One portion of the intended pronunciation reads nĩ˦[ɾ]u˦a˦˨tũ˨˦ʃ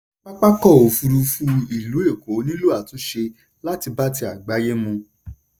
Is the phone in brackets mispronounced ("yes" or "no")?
yes